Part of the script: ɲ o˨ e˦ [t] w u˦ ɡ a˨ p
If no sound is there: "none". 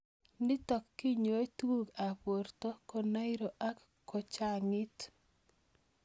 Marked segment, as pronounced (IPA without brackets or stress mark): t